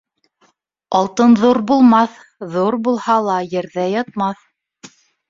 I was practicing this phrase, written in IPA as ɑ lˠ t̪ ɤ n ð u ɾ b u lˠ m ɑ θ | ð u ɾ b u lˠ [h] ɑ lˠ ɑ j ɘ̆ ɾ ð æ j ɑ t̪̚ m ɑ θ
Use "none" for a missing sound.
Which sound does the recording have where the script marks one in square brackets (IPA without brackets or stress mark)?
h